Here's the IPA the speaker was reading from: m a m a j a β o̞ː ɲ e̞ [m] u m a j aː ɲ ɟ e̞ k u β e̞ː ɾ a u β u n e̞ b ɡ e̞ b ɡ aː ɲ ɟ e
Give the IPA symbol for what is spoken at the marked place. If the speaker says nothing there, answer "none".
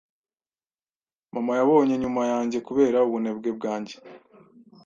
ɲ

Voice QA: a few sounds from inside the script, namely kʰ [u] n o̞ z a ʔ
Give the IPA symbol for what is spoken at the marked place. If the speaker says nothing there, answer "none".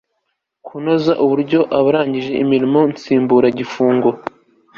u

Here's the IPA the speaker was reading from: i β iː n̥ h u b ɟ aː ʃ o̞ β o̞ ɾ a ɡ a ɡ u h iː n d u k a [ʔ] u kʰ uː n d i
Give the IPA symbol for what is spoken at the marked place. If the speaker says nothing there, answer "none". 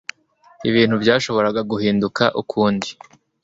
ʔ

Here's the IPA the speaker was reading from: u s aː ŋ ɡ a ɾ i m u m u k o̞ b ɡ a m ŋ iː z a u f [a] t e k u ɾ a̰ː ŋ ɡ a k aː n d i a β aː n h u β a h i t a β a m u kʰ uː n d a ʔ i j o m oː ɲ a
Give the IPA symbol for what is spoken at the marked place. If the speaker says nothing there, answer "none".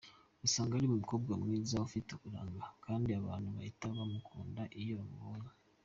i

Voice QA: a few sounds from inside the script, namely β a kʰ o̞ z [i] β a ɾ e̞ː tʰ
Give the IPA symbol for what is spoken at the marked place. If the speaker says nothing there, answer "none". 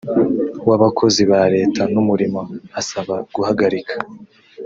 i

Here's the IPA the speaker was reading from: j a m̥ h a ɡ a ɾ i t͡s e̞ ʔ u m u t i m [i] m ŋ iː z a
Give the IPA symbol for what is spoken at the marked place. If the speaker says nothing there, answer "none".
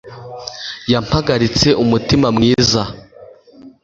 a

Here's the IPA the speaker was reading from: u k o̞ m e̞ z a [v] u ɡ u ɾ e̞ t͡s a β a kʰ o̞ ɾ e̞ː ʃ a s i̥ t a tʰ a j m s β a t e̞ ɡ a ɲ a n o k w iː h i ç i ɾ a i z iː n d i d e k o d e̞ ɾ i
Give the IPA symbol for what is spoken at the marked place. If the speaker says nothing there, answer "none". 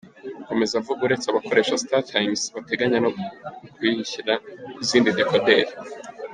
v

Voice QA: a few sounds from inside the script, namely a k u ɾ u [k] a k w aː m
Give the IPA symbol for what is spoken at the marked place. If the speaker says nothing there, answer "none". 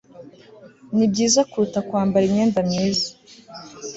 t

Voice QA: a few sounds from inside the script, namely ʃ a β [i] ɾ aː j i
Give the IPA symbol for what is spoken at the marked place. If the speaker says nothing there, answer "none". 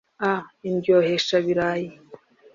i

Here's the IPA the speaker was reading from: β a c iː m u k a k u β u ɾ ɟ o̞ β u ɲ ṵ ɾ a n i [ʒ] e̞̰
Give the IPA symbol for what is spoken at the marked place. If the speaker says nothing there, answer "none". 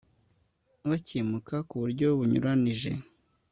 ʒ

